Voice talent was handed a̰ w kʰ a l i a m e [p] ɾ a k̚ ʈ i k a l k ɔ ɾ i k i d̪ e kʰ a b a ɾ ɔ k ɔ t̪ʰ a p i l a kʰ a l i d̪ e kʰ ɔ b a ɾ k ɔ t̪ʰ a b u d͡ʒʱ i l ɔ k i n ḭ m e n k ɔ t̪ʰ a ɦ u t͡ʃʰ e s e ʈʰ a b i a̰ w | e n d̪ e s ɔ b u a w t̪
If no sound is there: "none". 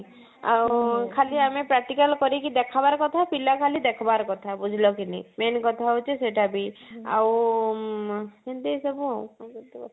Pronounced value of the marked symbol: p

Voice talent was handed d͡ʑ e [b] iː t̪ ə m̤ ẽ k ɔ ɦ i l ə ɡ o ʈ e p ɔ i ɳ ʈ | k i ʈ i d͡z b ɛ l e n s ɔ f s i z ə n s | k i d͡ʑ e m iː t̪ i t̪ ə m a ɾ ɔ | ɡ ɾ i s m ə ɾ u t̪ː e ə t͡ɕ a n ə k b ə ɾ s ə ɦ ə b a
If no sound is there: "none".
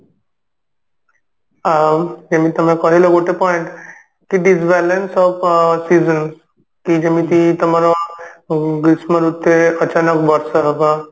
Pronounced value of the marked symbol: m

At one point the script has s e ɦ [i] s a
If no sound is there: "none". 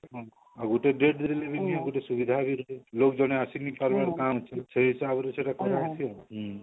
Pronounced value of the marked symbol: i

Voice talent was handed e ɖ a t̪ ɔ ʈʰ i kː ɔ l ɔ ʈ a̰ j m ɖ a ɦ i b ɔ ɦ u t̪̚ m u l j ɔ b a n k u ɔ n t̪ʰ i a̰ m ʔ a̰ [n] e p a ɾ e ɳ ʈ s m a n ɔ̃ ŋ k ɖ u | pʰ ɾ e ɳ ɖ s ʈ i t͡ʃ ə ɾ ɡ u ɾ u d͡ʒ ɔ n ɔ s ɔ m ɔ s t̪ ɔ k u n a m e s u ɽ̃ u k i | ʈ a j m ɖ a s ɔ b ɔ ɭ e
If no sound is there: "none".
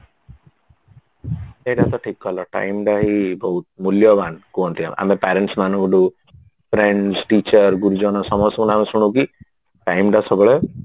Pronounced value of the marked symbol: m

